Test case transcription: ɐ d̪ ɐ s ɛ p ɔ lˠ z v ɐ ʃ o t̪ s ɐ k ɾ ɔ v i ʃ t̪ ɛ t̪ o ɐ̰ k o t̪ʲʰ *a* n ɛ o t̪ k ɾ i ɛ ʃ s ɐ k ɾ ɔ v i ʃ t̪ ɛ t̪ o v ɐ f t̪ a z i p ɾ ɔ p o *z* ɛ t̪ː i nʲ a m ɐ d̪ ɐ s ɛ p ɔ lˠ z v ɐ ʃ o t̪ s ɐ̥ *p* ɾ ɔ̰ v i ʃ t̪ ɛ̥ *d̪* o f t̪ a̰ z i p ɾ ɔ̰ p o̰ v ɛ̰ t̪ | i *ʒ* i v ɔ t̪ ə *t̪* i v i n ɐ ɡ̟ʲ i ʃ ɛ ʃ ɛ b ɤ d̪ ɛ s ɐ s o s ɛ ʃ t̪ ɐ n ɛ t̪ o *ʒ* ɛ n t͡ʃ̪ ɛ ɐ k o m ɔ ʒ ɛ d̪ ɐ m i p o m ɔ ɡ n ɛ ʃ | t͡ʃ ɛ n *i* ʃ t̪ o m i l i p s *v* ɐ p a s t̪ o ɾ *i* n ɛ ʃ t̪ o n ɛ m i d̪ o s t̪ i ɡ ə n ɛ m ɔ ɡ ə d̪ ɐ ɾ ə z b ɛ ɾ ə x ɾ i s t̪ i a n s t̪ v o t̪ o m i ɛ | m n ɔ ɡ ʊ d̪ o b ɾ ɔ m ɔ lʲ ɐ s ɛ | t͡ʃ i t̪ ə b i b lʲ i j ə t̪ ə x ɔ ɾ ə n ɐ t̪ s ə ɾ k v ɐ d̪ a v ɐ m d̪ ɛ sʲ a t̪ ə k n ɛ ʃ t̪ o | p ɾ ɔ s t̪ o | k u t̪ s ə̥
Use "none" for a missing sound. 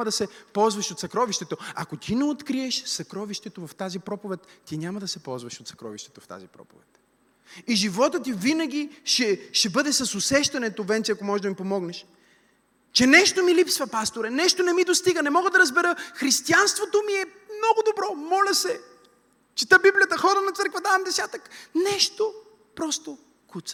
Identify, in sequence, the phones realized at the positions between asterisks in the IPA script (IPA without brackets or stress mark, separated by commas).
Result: i, v, k, t̪, ʒ, t̪, v, ɛ, v, ɛ